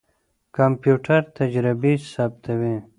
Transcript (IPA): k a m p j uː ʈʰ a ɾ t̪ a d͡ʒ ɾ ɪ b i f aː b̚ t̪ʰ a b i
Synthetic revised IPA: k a m p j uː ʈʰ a ɾ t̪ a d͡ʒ ɾ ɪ b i s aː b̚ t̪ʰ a w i